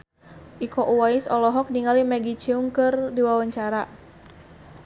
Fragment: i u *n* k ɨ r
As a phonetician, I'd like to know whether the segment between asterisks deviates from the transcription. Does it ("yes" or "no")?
yes